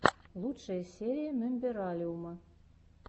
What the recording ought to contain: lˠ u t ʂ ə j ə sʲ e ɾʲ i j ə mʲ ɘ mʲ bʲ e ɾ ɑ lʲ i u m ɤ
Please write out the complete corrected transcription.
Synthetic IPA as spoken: lˠ u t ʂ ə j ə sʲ e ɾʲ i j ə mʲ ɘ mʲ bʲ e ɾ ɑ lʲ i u m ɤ